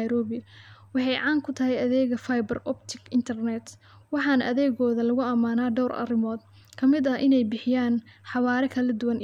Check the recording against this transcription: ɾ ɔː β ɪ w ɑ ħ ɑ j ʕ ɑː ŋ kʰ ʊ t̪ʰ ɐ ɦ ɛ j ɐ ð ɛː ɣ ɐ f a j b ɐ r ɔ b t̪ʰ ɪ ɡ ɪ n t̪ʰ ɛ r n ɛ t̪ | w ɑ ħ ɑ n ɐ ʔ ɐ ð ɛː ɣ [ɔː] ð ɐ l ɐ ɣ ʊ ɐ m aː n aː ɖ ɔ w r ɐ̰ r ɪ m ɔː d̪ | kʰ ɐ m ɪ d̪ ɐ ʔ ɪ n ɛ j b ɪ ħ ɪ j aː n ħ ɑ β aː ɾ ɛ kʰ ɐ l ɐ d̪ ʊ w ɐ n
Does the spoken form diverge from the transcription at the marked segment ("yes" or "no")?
no